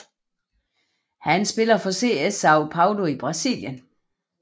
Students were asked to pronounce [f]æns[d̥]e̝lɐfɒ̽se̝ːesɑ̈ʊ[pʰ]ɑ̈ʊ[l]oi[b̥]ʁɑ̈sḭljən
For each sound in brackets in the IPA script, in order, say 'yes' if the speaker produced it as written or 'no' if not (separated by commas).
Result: no, no, yes, yes, yes